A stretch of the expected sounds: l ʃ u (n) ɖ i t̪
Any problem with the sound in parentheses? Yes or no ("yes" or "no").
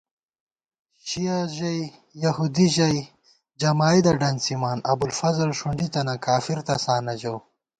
yes